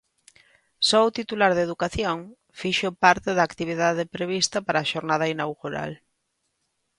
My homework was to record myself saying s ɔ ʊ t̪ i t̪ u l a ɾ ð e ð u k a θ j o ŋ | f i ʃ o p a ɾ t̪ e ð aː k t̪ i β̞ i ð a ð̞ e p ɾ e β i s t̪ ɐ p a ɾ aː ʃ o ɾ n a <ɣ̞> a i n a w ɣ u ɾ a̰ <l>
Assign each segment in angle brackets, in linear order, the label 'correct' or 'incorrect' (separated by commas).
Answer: incorrect, correct